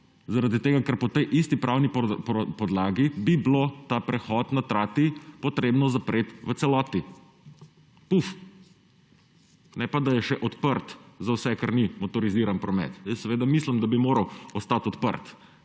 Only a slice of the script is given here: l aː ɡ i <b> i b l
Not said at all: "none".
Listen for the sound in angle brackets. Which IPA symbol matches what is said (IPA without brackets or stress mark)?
b